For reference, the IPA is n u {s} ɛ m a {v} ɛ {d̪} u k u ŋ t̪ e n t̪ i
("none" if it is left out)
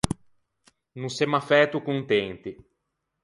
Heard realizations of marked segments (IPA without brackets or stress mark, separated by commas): s, f, t̪